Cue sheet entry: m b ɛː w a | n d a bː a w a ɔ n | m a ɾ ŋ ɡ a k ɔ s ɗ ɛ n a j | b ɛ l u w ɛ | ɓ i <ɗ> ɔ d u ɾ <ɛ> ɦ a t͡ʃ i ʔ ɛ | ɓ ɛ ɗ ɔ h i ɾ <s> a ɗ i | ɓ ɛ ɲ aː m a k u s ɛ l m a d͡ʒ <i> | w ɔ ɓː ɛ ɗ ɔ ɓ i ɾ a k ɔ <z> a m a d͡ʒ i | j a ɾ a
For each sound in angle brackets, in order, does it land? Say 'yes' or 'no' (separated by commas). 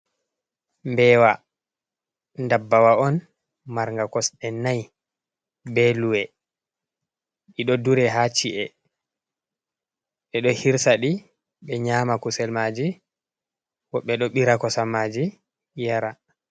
yes, yes, yes, yes, no